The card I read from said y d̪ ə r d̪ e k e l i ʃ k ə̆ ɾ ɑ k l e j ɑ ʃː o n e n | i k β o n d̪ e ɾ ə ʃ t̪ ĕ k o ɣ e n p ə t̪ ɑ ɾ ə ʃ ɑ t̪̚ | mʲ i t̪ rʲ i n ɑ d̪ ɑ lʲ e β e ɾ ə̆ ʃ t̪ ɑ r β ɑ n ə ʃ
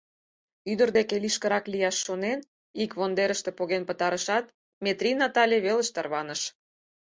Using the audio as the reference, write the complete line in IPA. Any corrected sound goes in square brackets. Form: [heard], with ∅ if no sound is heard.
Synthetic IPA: y d̪ ə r d̪ e k e l i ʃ k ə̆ ɾ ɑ k l [i] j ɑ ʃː o n e n | i k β o n d̪ e ɾ ə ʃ t̪ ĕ [p] o ɣ e n p ə t̪ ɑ ɾ ə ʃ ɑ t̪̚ | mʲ [e] t̪ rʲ i n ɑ [t̪] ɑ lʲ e β e [l] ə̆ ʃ t̪ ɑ r β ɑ n ə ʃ